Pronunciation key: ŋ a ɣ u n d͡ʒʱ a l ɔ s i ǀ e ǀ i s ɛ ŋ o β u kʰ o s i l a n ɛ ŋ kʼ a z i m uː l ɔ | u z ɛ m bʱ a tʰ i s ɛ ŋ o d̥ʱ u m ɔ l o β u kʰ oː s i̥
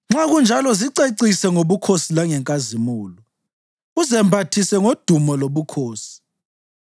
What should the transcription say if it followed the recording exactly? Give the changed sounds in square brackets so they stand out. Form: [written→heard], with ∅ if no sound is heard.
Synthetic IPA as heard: [ŋ→ŋ͡ǁ] a ɣ u n d͡ʒʱ a l ɔ [s→z] i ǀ e ǀ i s ɛ ŋ o β u kʰ o s i l a [n→ŋ] ɛ ŋ kʼ a z i m uː l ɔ | u z ɛ m bʱ a tʰ i s ɛ ŋ o d̥ʱ u m ɔ l o β u kʰ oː s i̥